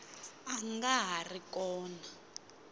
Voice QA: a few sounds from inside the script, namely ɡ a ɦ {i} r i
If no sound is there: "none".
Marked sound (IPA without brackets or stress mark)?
a